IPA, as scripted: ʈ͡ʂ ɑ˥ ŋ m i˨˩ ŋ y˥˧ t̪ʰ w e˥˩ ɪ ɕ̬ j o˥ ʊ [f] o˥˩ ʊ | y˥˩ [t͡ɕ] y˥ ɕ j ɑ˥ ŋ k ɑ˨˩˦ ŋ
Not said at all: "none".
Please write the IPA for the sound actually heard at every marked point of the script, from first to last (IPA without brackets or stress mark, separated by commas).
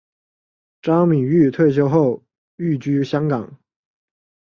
x, t͡ɕ